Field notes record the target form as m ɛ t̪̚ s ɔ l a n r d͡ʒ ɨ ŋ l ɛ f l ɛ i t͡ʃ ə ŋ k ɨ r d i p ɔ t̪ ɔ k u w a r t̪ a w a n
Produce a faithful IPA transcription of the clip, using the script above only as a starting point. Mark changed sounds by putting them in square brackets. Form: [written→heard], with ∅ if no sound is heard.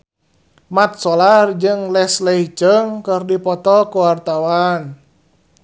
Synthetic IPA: m [ɛ→a] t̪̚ s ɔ l a [n→∅] r d͡ʒ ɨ ŋ l ɛ [f→s] l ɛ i t͡ʃ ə ŋ k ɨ r d i p ɔ t̪ ɔ k u w a r t̪ a w a n